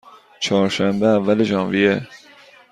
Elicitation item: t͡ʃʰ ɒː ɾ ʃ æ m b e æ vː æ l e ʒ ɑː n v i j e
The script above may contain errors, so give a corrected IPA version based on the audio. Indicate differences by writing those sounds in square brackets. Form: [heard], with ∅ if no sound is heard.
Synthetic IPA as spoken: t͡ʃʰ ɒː ɾ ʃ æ m b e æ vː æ l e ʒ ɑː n v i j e